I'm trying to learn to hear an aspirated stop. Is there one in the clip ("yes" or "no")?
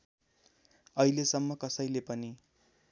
no